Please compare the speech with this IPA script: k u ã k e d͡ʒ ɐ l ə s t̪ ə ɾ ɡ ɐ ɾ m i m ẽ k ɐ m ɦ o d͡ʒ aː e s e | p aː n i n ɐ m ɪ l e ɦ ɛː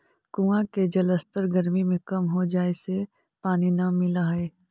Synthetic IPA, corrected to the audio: k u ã k e d͡ʒ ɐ l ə s t̪ ə ɾ ɡ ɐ ɾ m i m ẽ k ɐ m ɦ o d͡ʒ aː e s e | p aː n i n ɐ m ɪ l a ɦ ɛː